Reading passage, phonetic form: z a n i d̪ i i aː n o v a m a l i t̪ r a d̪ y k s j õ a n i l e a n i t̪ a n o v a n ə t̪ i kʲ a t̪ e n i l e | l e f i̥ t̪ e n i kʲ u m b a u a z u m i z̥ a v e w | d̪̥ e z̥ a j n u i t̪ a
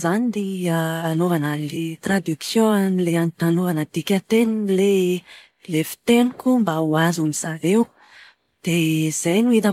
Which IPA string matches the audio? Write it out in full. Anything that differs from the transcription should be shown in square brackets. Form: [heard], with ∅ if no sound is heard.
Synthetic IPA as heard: z a n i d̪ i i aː n o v a [n] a l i t̪ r a d̪ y k s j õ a n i l e a n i t̪ a n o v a n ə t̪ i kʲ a t̪ e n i l e | l e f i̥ t̪ e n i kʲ u m b a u a z u m i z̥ a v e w | d̪̥ e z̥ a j n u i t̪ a